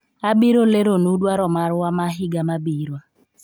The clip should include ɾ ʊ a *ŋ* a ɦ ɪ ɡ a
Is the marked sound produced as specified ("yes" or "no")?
no